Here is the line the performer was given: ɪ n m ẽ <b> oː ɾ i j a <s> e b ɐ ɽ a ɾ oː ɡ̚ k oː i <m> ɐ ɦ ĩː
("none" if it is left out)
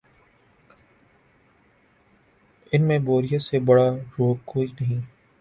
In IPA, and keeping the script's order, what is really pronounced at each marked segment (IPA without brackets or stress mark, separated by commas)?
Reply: b, s, n